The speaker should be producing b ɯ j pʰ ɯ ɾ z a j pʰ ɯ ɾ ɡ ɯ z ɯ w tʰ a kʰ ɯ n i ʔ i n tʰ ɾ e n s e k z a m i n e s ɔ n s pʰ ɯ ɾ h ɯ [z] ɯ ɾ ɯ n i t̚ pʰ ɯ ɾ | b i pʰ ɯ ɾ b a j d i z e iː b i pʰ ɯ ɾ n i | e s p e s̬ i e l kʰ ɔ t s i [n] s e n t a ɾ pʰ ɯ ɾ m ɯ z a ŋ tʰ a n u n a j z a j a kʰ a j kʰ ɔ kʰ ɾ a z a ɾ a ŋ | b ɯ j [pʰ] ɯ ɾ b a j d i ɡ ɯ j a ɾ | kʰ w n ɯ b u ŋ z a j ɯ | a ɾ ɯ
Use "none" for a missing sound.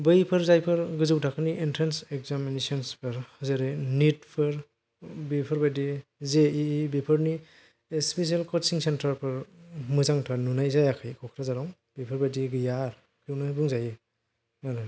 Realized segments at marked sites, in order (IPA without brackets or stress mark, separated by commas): z, ŋ, pʰ